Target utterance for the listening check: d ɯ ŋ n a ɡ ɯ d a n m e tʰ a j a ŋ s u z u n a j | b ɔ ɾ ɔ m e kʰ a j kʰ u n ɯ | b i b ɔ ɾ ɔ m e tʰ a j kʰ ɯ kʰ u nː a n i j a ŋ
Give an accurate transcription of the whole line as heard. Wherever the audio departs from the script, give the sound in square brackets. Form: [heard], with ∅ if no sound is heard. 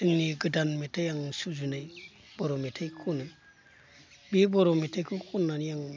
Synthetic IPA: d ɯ ŋ n [i] ɡ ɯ d a n m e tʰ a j a ŋ s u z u n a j | b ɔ ɾ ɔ m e [tʰ] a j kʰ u n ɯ | b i b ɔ ɾ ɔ m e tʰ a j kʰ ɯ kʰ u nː a n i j a ŋ